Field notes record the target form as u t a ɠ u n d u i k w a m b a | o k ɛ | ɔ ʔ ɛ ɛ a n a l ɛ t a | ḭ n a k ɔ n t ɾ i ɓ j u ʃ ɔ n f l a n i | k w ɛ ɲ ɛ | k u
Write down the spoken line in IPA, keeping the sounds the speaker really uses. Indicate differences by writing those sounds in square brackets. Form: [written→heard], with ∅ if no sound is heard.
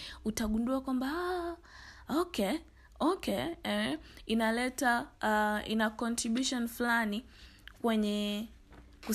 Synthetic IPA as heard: u t a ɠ u n d u [i→a] k w a m b a | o k ɛ | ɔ [ʔ→k] ɛ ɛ [a→i] n a l ɛ t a | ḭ n a k ɔ n t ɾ i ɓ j u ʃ ɔ n f l a n i | k w ɛ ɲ ɛ | k u